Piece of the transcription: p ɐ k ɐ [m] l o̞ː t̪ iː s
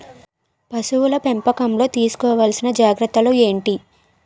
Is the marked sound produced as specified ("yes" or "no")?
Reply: yes